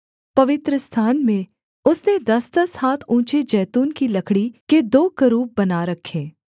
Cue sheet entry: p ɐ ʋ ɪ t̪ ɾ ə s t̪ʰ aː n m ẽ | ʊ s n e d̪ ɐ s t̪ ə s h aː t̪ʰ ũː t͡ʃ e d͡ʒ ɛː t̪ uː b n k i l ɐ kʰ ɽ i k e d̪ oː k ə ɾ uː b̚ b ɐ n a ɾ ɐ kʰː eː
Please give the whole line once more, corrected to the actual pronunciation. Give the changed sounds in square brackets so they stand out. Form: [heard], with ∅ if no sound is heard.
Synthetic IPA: p ɐ ʋ ɪ t̪ ɾ ə s t̪ʰ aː n m ẽ | ʊ s n e d̪ ɐ s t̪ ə s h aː t̪ʰ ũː t͡ʃ e d͡ʒ ɛː t̪ uː [∅] n k i l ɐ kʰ ɽ i k e d̪ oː k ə ɾ uː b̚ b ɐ n a ɾ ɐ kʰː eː